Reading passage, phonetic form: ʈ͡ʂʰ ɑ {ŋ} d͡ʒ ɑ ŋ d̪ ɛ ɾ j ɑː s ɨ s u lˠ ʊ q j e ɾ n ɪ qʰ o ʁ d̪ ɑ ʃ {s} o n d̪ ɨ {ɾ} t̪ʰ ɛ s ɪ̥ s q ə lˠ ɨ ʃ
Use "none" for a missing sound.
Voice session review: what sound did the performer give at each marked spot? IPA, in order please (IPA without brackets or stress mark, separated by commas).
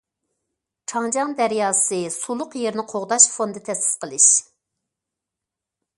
ŋ, f, none